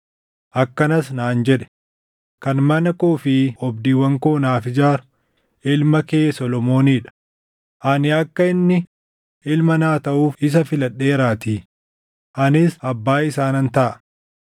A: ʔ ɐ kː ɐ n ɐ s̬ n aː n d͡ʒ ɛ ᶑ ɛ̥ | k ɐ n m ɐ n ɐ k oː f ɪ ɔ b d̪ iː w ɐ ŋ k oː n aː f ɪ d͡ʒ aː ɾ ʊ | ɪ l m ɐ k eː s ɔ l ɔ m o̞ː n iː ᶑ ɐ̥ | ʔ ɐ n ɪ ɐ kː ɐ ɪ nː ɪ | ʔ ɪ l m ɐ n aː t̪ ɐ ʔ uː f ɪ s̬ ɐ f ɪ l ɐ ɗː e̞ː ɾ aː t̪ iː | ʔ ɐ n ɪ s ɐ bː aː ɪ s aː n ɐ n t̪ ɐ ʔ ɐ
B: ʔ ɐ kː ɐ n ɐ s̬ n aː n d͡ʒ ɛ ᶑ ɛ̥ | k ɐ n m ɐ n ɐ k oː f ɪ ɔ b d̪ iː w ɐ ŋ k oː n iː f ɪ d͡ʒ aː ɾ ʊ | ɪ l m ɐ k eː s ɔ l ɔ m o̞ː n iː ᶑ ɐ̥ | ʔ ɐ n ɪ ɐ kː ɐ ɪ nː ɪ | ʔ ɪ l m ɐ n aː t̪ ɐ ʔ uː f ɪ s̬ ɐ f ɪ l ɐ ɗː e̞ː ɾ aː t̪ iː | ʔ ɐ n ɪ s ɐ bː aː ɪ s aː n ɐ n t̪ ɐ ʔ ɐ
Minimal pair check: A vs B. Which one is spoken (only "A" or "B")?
A